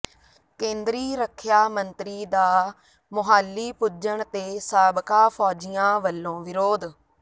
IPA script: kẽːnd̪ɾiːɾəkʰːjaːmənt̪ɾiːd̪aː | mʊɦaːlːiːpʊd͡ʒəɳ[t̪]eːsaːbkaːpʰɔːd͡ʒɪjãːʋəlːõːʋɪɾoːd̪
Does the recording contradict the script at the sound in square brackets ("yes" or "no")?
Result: no